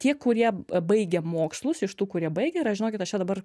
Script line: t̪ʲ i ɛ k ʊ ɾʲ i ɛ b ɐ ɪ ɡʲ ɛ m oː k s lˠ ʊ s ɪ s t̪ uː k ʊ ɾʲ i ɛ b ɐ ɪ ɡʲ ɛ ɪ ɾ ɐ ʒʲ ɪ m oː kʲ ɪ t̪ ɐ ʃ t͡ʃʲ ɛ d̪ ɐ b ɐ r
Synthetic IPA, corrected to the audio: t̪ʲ i ɛ k ʊ ɾʲ i ɛ b ɐ ɪ ɡʲ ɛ m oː k s lˠ ʊ s ɪ ʃ t̪ uː k ʊ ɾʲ i ɛ b ɐ ɪ ɡʲ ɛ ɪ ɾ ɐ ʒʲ ɪ n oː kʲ ɪ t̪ ɐ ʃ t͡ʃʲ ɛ d̪ ɐ b ɐ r